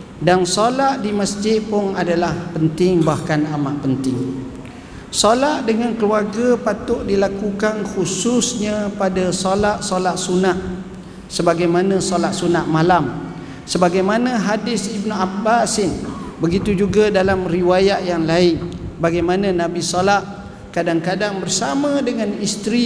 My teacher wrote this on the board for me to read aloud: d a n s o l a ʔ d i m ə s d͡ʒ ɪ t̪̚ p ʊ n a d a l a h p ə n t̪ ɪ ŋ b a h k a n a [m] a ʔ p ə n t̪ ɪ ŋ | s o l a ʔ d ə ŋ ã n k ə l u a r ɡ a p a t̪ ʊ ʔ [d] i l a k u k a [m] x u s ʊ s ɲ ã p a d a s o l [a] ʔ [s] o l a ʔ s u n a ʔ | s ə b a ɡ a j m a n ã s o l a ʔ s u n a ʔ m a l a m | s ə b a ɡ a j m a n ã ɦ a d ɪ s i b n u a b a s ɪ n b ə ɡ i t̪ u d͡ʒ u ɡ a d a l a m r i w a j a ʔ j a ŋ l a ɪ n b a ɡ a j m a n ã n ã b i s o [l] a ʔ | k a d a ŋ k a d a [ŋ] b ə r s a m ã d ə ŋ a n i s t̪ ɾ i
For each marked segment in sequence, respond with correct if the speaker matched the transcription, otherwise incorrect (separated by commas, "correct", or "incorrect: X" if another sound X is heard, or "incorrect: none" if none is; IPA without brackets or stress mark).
correct, correct, incorrect: n, correct, correct, correct, correct